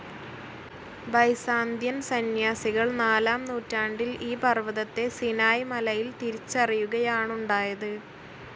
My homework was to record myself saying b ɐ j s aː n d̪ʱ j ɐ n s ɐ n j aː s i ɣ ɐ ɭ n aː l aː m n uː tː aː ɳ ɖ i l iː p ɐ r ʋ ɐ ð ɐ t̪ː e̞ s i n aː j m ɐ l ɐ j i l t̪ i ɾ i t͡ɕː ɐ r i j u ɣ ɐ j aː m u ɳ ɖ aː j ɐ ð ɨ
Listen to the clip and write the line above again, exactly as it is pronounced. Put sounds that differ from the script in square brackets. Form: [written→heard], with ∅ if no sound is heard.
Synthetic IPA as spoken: b ɐ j s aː n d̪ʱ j ɐ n s ɐ n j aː s i ɣ ɐ ɭ n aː l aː m n uː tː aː ɳ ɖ i l iː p ɐ r ʋ ɐ ð ɐ t̪ː e̞ s i n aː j m ɐ l ɐ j i l t̪ i ɾ i t͡ɕː ɐ r i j u ɣ ɐ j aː [m→ɳ] u ɳ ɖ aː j ɐ ð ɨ